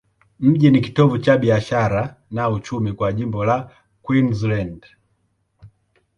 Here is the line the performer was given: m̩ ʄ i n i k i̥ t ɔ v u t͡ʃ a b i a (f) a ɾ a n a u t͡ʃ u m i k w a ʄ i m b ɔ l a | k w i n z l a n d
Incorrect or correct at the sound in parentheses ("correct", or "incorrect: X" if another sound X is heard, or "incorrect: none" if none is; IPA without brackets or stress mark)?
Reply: incorrect: ʃ